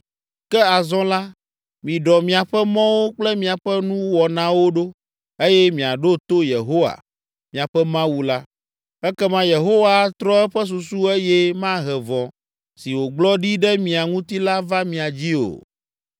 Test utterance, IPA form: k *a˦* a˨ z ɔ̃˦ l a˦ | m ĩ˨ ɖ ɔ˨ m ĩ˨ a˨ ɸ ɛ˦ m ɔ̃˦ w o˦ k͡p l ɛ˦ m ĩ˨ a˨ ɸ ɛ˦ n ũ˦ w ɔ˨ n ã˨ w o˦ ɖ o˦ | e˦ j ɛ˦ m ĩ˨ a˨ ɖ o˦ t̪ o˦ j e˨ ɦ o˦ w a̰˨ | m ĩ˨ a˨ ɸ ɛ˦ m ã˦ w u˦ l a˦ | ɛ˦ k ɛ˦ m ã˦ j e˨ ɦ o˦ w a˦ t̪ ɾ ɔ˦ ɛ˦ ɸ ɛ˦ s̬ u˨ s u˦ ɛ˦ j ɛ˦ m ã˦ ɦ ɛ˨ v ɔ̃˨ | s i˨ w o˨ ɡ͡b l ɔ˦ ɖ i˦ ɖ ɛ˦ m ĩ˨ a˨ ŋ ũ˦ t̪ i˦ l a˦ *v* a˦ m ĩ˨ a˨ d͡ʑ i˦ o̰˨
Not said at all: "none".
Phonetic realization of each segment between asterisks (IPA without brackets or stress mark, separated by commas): ɛ˦, v